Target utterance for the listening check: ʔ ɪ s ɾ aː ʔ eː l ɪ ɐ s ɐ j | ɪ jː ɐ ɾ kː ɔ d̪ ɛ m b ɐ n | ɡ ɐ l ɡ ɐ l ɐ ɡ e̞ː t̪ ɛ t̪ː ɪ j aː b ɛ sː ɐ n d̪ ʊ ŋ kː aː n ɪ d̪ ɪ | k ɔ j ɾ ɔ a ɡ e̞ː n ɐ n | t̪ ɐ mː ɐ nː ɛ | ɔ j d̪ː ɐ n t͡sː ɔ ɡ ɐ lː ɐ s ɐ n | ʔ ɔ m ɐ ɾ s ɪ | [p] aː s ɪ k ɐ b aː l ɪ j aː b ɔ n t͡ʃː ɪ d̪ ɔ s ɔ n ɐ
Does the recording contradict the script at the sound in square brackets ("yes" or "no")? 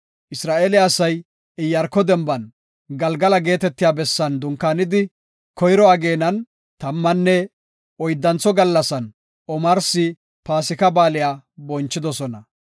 no